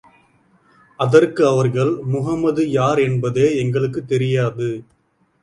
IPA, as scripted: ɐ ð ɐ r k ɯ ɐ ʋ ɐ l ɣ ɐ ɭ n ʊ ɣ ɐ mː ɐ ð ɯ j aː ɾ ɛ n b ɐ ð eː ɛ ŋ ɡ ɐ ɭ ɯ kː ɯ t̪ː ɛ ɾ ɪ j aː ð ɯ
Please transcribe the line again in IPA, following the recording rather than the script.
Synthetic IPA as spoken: ɐ ð ɐ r k ɯ ɐ ʋ ɐ ɾ ɣ ɐ ɭ m ʊ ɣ ɐ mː ɐ ð ɯ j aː ɾ ɛ n b ɐ ð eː ɛ ŋ ɡ ɐ ɭ ɯ kː ɯ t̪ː ɛ ɾ ɪ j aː ð ɯ